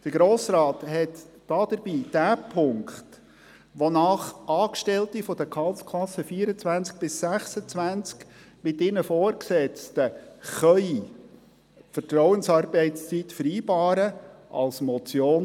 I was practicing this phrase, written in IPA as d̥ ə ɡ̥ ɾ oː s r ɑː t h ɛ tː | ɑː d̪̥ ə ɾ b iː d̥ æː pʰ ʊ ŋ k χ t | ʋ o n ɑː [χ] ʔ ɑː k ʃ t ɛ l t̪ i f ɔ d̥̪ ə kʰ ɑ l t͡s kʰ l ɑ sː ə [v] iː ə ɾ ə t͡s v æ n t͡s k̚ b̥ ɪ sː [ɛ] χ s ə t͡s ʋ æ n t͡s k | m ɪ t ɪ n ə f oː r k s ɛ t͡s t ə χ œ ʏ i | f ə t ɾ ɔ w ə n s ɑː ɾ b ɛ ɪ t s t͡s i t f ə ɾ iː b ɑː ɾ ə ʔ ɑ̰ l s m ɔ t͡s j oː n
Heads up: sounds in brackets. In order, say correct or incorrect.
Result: correct, incorrect: f, incorrect: æ

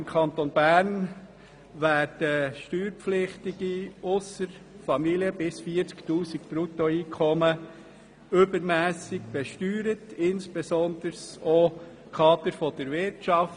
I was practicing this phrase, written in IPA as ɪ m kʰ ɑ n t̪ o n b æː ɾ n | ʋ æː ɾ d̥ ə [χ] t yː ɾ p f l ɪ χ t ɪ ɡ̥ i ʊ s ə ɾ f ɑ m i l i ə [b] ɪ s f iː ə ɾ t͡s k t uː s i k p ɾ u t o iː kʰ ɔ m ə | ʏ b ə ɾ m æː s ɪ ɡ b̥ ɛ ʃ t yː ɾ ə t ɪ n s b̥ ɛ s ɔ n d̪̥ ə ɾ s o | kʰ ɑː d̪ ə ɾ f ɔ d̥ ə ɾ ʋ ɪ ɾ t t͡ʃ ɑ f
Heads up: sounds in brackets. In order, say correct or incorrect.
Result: incorrect: ʃ, correct

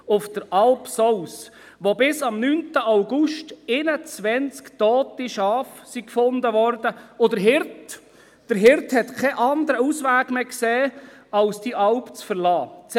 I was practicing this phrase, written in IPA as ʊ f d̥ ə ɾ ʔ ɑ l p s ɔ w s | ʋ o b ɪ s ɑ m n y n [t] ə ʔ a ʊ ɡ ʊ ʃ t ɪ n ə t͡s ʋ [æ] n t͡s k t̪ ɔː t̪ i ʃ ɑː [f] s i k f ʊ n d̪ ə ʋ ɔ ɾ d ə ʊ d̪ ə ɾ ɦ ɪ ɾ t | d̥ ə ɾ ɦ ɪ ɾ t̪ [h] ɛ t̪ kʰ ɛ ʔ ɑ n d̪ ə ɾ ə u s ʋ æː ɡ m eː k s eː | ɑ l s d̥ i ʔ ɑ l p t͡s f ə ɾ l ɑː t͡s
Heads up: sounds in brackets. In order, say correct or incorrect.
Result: correct, incorrect: ɛ, correct, correct

